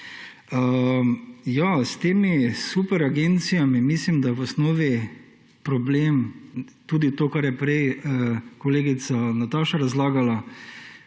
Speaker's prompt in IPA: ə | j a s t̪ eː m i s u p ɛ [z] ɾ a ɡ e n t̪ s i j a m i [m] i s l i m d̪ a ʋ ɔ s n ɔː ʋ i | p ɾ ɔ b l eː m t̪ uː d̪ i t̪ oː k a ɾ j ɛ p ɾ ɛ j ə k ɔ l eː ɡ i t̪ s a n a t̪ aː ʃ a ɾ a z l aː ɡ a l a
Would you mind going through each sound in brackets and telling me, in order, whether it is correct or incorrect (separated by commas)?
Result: incorrect, correct